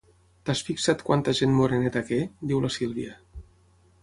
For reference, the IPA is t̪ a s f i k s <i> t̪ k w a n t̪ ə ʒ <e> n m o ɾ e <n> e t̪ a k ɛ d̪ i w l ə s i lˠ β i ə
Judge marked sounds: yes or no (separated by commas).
no, yes, yes